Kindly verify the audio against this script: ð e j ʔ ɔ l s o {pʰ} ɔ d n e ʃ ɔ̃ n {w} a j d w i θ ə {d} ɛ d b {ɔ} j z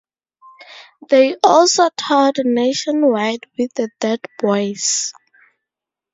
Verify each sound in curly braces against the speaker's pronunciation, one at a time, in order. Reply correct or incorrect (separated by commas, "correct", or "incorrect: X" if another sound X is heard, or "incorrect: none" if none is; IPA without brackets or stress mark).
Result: incorrect: tʰ, correct, correct, correct